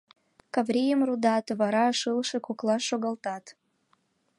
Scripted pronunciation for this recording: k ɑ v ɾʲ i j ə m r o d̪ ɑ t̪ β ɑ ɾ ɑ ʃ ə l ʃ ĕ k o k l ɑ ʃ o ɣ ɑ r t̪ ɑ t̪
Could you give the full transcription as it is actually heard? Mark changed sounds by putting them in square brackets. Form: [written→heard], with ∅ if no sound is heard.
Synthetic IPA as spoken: k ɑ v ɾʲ i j ə m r [o→u] d̪ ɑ t̪ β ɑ ɾ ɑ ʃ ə l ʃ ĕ k o k l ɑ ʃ o ɣ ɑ [r→l] t̪ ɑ t̪